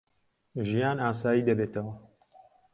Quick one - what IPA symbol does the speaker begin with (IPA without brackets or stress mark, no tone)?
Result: ʒ